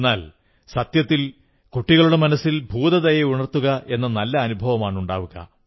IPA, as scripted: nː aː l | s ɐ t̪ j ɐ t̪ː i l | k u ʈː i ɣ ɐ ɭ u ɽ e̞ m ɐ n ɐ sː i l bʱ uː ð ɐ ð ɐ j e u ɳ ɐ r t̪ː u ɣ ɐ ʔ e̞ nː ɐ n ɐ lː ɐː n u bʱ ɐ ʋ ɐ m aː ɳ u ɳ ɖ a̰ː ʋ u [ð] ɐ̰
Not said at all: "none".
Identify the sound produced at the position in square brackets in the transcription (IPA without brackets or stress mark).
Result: ɣ